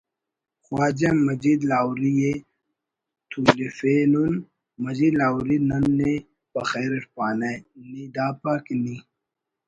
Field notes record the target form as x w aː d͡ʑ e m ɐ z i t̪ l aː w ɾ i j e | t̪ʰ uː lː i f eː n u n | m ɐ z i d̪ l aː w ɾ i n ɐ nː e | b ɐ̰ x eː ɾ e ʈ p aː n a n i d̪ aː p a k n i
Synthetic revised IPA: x w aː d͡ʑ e m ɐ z i d̪ l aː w ɾ i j e | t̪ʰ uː l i f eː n u n | m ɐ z i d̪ l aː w ɾ i n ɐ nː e | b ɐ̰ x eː ɾ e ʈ p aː n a n i d̪ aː p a k n i

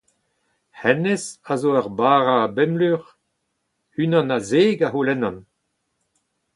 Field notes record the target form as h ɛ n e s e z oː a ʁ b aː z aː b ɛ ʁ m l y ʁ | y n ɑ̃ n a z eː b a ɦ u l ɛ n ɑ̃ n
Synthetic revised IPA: h ɛ n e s a z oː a ʁ b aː ʁ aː b ɛ m l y ʁ | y n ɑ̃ n a z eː ɡ a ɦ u l ɛ n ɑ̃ n

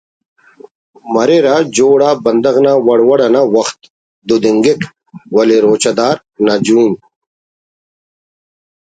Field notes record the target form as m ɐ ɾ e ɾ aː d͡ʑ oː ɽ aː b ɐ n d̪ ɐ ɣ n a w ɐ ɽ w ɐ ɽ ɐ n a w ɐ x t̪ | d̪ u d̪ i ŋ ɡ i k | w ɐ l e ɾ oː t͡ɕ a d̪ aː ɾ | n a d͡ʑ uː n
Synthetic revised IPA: m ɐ ɾ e ɾ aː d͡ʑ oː ɽ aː b ɐ n d̪ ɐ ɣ n a w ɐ ɽ w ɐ ɽ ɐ n a w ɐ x t̪ | d̪ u d̪ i ŋ ɡ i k | w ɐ l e ɾ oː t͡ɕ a d̪ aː ɾ | n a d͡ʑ uː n

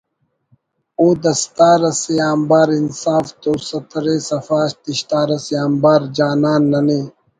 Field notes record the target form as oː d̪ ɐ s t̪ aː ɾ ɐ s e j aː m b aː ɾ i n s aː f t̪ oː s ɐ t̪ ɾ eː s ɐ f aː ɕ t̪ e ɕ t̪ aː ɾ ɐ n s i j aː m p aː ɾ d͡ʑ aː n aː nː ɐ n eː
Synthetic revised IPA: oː d̪ ɐ s t̪ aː ɾ ɐ s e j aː m b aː ɾ i n s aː f t̪ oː s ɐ t̪ ɾ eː s ɐ f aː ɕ t̪ i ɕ t̪ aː ɾ ɐ s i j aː m b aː ɾ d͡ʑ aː n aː nː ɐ n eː

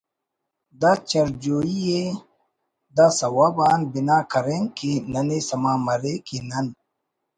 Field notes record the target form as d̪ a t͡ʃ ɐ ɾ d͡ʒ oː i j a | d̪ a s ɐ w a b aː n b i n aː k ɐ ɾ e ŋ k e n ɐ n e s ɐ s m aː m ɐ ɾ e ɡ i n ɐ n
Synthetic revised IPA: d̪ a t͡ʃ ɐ ɾ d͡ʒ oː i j e | d̪ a s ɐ w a b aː n b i n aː k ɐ ɾ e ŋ k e n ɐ n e s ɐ m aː m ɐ ɾ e k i n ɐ n

